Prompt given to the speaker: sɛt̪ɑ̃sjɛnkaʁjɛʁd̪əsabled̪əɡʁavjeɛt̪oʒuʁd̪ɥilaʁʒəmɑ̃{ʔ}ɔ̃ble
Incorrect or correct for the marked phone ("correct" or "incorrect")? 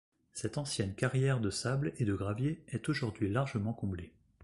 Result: incorrect